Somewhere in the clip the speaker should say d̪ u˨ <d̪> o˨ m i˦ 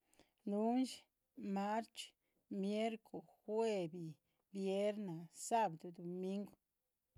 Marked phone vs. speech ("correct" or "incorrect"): correct